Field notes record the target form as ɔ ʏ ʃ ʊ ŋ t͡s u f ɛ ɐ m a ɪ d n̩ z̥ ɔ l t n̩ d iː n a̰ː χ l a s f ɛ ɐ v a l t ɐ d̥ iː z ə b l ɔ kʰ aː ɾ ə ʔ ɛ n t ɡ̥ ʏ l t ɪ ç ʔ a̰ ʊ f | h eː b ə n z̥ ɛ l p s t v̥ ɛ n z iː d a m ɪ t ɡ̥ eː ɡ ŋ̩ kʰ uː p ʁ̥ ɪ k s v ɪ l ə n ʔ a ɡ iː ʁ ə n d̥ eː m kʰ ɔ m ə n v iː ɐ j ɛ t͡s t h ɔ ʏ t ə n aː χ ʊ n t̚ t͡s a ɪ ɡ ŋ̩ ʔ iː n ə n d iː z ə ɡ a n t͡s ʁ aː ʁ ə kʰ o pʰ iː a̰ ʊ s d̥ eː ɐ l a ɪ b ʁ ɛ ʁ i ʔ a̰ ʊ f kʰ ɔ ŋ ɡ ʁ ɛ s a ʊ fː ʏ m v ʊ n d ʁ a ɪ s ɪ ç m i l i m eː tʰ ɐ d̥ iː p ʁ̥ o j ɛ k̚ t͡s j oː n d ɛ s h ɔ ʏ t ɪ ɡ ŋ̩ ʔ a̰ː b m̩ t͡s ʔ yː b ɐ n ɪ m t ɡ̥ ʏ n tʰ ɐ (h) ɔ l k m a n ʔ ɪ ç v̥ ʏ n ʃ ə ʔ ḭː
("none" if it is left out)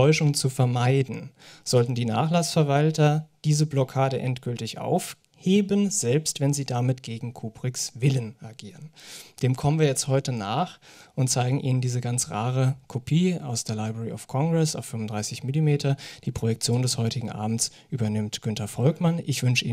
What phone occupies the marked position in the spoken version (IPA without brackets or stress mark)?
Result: f